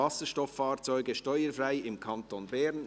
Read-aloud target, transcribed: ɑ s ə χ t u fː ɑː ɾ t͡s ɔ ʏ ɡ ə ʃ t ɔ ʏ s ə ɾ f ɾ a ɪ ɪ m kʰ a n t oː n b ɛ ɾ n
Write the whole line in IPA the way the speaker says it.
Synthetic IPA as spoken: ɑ s ə ʃ t ɔ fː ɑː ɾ t͡s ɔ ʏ ɡ ə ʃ t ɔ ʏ ə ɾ f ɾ a ɪ ɪ m kʰ ɑ n t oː n b ɛ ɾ n